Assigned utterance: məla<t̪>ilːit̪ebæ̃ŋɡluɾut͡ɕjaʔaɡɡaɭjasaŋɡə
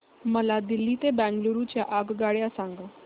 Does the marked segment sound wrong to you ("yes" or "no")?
yes